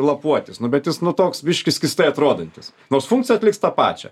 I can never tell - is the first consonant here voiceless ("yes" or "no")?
no